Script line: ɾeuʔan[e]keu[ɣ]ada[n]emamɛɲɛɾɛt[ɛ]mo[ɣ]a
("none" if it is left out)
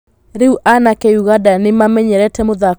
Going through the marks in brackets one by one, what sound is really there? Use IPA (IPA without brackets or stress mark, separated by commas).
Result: a, ɣ, n, ɛ, ð